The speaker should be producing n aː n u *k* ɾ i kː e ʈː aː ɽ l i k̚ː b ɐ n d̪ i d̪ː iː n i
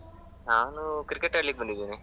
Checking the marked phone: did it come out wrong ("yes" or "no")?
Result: no